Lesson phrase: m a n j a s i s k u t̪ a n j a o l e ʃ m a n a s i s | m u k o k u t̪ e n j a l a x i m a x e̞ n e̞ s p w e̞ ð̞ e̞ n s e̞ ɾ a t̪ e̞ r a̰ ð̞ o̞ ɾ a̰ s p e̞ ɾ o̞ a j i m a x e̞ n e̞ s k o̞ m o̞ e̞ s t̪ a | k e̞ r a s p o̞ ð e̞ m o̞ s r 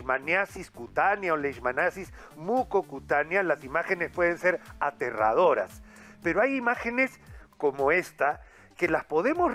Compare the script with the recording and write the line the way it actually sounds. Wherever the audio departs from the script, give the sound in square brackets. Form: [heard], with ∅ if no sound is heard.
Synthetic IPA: m a n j a s i s k u t̪ a n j a o l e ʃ m a n a s i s | m u k o k u t̪ [a] n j a l a [s] i m a x e̞ n e̞ s p w e̞ ð̞ e̞ n s e̞ ɾ a t̪ e̞ r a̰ ð̞ o̞ ɾ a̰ s p e̞ ɾ o̞ a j i m a x e̞ n e̞ s k o̞ m o̞ e̞ s t̪ a | k e̞ [l] a s p o̞ ð e̞ m o̞ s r